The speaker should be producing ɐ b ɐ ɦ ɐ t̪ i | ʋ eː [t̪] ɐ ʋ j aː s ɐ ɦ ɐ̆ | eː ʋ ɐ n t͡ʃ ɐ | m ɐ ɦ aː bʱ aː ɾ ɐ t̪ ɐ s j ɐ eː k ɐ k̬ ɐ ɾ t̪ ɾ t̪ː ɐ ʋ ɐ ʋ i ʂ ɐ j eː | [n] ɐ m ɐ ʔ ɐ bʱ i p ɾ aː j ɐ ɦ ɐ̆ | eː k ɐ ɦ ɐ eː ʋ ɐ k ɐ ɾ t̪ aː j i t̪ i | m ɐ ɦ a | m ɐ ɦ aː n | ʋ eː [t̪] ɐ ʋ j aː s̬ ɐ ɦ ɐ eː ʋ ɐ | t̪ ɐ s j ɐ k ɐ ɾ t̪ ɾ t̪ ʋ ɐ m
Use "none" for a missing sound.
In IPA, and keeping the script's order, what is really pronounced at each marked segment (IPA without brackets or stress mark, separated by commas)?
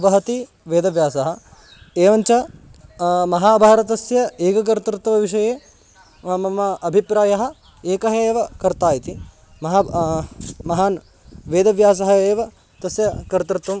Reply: d̪, m, d̪